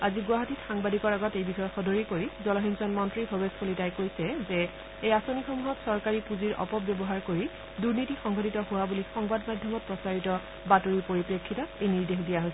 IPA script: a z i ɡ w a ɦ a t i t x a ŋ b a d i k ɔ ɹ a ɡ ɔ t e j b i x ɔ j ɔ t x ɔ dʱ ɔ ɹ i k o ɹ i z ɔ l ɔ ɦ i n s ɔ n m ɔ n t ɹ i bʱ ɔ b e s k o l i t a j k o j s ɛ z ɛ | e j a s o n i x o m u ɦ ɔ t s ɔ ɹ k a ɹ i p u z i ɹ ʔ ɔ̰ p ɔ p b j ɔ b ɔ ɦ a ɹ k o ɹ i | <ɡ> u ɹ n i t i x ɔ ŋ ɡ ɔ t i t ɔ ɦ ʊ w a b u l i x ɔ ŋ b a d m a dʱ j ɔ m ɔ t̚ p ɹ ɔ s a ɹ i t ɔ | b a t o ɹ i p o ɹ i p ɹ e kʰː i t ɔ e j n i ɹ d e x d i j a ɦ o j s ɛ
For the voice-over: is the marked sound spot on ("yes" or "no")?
no